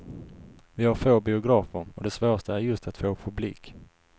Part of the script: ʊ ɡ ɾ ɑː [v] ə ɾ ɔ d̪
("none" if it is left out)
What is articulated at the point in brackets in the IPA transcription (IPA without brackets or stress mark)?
f